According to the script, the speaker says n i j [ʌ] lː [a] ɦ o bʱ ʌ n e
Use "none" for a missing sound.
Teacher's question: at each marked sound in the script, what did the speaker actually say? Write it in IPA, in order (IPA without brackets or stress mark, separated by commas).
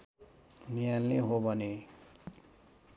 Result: a, e